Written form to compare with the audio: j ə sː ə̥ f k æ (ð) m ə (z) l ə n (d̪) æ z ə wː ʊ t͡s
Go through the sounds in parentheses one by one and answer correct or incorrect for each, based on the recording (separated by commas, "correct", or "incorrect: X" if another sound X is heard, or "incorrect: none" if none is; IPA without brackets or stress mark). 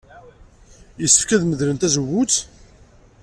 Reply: correct, incorrect: ð, incorrect: t̪